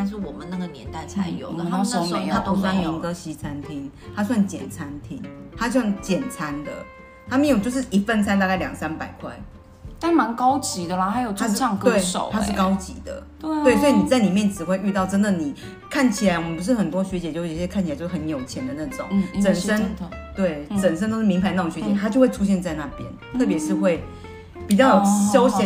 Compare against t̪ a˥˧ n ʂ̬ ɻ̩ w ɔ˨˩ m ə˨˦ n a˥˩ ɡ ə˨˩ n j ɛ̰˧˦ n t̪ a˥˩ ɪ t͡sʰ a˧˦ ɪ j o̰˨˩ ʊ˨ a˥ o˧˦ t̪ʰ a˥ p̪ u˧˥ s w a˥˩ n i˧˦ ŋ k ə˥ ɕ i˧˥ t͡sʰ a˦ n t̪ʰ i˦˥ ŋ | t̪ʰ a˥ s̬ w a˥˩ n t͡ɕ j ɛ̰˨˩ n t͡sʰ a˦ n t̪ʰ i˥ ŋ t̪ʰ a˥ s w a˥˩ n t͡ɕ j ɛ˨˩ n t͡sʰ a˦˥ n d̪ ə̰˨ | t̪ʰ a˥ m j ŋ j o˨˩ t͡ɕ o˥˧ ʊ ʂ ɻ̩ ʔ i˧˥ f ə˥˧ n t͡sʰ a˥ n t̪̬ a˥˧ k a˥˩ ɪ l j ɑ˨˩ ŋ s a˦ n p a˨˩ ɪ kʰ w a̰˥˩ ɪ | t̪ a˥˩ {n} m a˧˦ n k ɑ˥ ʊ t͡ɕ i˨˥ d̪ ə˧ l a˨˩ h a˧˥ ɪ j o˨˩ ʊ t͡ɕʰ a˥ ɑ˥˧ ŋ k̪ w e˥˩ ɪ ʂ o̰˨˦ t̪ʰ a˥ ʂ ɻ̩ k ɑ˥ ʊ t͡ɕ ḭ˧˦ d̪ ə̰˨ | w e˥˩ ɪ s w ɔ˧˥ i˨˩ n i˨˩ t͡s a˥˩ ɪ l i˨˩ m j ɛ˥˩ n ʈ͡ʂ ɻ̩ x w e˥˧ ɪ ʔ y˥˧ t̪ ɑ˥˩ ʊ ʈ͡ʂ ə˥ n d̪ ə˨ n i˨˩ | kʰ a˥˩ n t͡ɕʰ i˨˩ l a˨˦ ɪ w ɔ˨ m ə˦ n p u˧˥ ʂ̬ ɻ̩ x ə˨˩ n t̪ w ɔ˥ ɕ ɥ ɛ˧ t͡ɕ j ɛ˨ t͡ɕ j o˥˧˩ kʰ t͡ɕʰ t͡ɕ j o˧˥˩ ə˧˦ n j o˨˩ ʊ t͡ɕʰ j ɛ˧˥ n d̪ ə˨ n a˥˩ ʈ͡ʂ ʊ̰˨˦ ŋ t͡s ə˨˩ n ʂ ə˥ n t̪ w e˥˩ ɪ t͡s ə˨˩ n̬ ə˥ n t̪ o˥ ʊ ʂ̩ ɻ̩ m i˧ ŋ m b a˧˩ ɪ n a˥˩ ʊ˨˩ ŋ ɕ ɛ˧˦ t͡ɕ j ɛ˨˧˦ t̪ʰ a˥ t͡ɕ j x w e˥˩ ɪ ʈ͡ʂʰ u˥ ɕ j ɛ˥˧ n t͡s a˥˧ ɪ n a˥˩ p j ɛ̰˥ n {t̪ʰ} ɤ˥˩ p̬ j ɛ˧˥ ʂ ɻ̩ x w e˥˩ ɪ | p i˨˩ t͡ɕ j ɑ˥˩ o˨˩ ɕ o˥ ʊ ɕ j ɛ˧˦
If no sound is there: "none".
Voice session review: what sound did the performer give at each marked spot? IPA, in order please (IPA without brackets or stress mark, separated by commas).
n, t̪ʰ